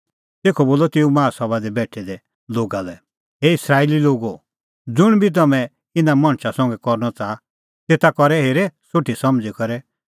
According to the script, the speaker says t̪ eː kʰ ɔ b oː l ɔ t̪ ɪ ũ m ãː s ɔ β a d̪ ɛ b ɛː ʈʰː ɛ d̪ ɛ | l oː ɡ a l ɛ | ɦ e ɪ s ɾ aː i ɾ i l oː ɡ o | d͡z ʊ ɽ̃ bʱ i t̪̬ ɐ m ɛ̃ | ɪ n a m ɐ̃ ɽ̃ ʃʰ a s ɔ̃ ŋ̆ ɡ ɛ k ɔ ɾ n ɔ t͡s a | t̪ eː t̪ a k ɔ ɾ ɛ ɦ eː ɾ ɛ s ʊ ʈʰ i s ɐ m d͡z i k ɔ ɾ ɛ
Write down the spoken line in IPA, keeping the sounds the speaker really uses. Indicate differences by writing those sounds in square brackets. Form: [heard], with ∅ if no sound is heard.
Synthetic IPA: t̪ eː kʰ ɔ b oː l ɔ t̪ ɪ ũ m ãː s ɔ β a d̪ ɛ b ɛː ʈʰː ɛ d̪ ɛ | l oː ɡ a l ɛ | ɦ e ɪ s ɾ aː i [l] i l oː ɡ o | d͡z ʊ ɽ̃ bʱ i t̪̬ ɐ m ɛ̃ | ɪ n a m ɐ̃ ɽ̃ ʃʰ a s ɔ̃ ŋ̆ ɡ ɛ k ɔ ɾ n ɔ t͡s a | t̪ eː t̪ a k ɔ ɾ ɛ ɦ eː ɾ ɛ s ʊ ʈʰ i s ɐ m d͡z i k ɔ ɾ ɛ